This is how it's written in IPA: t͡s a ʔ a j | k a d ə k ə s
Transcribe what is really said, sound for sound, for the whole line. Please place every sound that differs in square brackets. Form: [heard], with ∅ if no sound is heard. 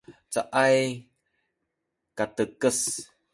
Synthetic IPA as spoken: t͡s a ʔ a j | k a [t] ə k ə s